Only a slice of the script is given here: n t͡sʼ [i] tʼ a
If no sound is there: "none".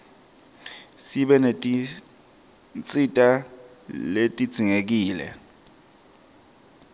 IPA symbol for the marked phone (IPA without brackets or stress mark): i